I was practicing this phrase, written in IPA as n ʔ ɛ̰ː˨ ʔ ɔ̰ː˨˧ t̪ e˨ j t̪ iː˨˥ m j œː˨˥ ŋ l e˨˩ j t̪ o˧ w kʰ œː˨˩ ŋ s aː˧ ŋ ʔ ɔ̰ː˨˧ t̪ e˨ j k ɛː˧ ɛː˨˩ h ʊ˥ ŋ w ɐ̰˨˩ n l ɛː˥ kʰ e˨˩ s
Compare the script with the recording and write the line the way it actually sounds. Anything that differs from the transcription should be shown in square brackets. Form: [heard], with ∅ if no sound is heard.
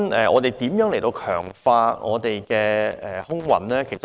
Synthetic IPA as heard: n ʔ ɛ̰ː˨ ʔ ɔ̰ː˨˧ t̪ e˨ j t̪ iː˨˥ m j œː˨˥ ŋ l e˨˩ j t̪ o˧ w kʰ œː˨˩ ŋ [f] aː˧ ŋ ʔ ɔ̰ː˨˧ t̪ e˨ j k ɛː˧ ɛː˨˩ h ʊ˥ ŋ w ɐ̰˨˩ n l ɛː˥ kʰ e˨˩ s